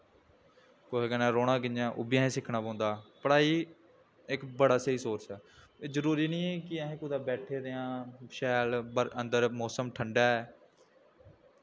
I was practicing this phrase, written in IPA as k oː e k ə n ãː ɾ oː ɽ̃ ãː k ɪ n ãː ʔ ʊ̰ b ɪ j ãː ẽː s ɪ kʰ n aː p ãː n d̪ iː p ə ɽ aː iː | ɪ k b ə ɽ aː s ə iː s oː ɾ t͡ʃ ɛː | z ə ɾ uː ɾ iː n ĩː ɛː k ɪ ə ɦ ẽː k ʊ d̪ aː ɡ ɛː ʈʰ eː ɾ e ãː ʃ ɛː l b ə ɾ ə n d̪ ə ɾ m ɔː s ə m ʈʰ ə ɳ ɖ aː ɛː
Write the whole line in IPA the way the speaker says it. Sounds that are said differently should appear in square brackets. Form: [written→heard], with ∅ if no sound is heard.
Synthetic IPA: k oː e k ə n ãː ɾ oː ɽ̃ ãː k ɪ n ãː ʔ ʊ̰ b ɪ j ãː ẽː s ɪ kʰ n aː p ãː n d̪ [iː→aː] p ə ɽ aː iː | ɪ k b ə ɽ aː s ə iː s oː ɾ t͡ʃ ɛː | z ə ɾ uː ɾ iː n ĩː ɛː k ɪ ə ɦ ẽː k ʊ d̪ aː [ɡ→b] ɛː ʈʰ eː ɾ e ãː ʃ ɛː l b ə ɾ ə n d̪ ə ɾ m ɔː s ə m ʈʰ ə ɳ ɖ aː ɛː